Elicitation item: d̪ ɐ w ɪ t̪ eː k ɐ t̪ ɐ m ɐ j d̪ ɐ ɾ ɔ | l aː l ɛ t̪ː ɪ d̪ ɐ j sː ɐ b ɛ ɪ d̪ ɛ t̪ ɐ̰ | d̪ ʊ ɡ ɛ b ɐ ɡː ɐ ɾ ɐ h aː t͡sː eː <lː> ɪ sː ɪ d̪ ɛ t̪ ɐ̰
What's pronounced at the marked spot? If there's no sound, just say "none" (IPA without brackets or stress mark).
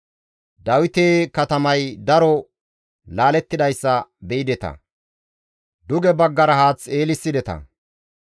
l